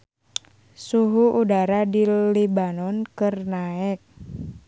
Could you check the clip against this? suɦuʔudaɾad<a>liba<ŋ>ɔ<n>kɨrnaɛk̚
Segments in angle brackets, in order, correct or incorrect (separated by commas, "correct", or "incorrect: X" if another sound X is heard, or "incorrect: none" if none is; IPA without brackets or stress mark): incorrect: i, incorrect: n, correct